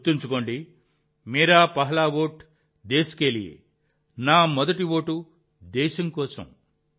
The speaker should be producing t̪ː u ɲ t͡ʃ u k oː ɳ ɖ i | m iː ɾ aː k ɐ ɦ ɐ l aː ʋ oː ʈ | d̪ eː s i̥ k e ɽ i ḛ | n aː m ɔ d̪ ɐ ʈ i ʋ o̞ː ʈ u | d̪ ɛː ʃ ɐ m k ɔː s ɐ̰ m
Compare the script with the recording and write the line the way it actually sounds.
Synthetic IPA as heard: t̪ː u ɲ t͡ʃ u k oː ɳ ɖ i | m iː ɾ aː p ɐ ɦ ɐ l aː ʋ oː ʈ | d̪ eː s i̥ k e l i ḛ | n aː m ɔ d̪ ɐ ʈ i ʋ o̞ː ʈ u | d̪ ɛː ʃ ɐ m k ɔː s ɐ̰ m